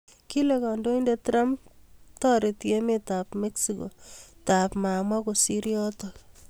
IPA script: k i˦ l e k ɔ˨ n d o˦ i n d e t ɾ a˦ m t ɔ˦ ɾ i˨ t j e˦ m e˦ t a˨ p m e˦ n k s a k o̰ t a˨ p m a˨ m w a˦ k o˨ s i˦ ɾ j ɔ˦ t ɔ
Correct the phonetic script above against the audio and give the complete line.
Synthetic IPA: k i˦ l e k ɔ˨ n d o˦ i n d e t ɾ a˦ m t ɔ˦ ɾ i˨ t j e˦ m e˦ t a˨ p m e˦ k s i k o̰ t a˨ p m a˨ m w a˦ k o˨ s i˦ ɾ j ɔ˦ t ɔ